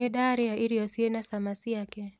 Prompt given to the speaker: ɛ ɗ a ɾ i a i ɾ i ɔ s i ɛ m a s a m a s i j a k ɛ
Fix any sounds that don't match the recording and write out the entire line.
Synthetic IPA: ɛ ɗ a ɾ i a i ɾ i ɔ s i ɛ n a s a m a s i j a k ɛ

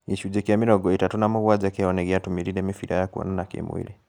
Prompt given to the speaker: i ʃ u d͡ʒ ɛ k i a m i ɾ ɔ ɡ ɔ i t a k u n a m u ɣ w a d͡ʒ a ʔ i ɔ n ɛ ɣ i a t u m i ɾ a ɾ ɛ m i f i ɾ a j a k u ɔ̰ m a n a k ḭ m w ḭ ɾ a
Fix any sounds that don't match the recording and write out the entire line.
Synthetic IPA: i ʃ u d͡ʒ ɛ k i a m i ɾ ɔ ɡ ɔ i t a t u n a m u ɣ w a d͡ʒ a k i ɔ n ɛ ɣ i a t u m i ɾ i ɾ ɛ m i f i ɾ a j a k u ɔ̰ n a n a k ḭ m w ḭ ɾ i

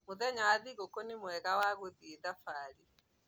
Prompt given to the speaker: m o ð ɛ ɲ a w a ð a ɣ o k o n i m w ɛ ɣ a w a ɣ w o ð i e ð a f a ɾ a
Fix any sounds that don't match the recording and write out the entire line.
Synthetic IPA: m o ð ɛ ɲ a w a ð i ɣ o k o n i m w ɛ ɣ a w a ɣ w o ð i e ð a f a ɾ i

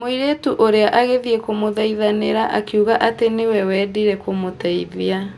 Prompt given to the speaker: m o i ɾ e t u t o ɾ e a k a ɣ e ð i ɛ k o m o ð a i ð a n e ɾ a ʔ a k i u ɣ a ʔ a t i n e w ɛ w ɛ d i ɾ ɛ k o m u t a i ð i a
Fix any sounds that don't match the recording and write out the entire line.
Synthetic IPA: m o i ɾ e t u ʔ o ɾ e a ʔ a ɣ e ð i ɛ k o m o ð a i ð a n e ɾ a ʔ a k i u ɣ a ʔ a t e n e w ɛ w ɛ d i ɾ ɛ k o m o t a i ð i a

